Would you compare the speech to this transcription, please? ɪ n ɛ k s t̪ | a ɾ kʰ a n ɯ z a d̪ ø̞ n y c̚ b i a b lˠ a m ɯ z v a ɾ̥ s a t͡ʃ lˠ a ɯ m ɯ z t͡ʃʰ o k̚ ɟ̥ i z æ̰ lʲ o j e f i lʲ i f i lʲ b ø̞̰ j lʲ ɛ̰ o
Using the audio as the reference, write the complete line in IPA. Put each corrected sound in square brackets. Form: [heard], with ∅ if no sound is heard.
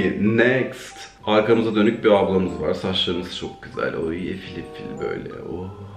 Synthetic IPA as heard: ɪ n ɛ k s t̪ | a ɾ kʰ a [m] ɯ z a d̪ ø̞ n y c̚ b i a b lˠ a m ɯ z v a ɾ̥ s a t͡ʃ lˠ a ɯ m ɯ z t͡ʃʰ o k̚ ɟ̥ [y] z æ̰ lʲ o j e f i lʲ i f i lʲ b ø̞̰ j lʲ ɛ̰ o

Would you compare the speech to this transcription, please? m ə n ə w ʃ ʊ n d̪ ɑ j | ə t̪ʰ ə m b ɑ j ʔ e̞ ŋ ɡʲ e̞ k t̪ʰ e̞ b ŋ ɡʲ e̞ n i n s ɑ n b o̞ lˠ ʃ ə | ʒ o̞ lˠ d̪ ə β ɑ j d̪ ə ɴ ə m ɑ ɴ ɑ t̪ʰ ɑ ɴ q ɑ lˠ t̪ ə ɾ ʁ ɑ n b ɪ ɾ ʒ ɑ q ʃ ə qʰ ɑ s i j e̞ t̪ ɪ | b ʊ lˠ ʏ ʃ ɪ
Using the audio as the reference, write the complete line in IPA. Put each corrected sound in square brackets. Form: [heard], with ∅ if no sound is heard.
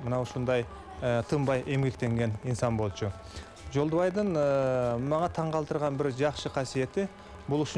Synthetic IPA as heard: m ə n [ɑ] w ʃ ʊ n d̪ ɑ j | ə t̪ʰ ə m b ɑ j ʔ e̞ [m] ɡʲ e̞ k [t̪] e̞ [∅] ŋ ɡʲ e̞ n i n s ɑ n b o̞ lˠ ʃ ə | ʒ o̞ lˠ d̪ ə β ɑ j d̪ ə ɴ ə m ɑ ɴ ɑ t̪ʰ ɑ ɴ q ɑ lˠ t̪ ə ɾ ʁ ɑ n b ɪ ɾ ʒ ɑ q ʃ ə qʰ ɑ s i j e̞ t̪ ɪ | b ʊ lˠ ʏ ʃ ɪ

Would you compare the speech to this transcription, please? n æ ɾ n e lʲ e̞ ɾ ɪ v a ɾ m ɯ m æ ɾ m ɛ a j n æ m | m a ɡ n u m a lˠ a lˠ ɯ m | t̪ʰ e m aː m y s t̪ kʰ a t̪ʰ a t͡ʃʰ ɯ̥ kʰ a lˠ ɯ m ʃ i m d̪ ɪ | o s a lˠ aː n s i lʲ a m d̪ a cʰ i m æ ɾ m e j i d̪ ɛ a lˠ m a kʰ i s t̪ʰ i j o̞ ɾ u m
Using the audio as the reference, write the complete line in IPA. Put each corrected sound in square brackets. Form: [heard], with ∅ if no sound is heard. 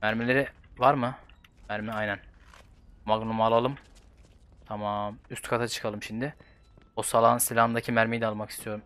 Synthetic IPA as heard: [m] æ ɾ [m] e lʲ e̞ ɾ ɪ v a ɾ m ɯ m æ ɾ m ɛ a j n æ [n] | m a ɡ n u m a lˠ a lˠ ɯ m | t̪ʰ [a] m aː m y s t̪ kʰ a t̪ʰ a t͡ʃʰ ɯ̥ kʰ a lˠ ɯ m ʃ i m d̪ ɪ | o s a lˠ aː n s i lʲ a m d̪ a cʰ i m æ ɾ m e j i d̪ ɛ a lˠ m a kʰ i s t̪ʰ i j o̞ ɾ u m

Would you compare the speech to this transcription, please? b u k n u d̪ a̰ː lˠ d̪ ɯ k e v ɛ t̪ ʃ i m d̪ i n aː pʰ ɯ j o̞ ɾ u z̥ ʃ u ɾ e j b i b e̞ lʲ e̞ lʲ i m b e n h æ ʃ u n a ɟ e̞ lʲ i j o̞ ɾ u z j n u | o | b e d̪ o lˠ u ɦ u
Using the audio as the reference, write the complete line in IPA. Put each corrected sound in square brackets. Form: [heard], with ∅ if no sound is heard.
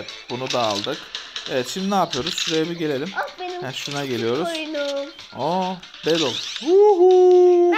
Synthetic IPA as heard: b u [∅] n u d̪ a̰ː lˠ d̪ ɯ k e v ɛ t̪ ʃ i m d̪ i n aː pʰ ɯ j o̞ ɾ u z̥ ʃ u ɾ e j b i [ɟ] e̞ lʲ e̞ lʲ i m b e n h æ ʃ u n a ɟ e̞ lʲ i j o̞ ɾ u z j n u | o | b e d̪ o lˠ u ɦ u

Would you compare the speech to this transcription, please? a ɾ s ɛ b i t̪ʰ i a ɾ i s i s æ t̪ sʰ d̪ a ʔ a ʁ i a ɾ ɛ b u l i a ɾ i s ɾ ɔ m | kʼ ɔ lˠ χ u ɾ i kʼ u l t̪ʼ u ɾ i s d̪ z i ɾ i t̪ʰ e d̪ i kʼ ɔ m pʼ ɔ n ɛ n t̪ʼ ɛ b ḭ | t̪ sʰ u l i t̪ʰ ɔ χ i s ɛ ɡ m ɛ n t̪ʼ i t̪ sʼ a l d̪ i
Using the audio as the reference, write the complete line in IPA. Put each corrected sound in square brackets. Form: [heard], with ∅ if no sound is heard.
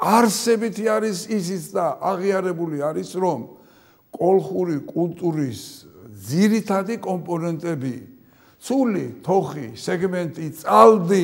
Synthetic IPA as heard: a ɾ s ɛ b i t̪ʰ i a ɾ i s i s [i] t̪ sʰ d̪ a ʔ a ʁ i a ɾ ɛ b u l i a ɾ i s ɾ ɔ m | kʼ ɔ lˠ χ u ɾ i kʼ u l t̪ʼ u ɾ i s d̪ z i ɾ i t̪ʰ [a] d̪ i kʼ ɔ m pʼ ɔ n ɛ n t̪ʼ ɛ b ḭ | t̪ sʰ u l i t̪ʰ ɔ χ i s ɛ ɡ m ɛ n t̪ʼ i t̪ sʼ a l d̪ i

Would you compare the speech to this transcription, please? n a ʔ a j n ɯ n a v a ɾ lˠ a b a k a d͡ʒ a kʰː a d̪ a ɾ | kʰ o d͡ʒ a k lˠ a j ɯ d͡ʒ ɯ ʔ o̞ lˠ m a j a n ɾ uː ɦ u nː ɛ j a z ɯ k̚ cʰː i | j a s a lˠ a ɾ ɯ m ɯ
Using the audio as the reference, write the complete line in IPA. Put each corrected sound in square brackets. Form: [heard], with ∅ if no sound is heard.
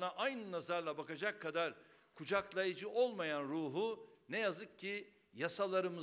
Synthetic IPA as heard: n a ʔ a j n ɯ n a [z] a ɾ lˠ a b a k a d͡ʒ a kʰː a d̪ a ɾ | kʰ [u] d͡ʒ a k lˠ a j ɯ d͡ʒ ɯ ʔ o̞ lˠ m a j a n ɾ uː ɦ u [n] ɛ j a z ɯ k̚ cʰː i | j a s a lˠ a ɾ ɯ m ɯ

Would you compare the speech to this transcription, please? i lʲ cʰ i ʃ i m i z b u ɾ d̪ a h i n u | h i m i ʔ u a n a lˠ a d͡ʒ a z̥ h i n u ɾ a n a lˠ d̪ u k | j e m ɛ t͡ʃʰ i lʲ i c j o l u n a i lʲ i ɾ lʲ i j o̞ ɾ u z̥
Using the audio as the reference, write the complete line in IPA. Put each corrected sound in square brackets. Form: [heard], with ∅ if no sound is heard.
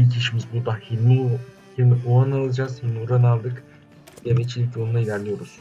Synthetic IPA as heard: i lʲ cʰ i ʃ i m i z b u ɾ d̪ a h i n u | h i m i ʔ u a n a lˠ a d͡ʒ a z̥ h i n u ɾ a n a lˠ d̪ [ɯ] k | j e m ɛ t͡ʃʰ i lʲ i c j o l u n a i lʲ [æ] ɾ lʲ i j o̞ ɾ u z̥

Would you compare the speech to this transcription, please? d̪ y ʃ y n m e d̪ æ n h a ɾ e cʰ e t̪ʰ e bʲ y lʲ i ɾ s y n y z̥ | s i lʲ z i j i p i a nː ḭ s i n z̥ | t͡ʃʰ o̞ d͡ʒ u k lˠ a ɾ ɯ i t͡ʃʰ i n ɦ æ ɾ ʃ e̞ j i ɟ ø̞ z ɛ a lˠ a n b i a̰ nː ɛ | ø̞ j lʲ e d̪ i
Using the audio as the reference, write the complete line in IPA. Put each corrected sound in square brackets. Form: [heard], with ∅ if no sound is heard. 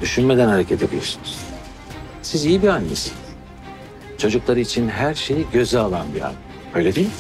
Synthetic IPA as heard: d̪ y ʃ y n m e d̪ æ n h a ɾ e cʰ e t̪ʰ e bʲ [i] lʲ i ɾ s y n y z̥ | s i [∅] z i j i [b] i a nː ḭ s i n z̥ | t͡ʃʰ o̞ d͡ʒ u k lˠ a ɾ ɯ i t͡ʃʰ i n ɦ æ ɾ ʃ e̞ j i ɟ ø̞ z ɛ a lˠ a n b i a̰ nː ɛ | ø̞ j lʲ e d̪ i

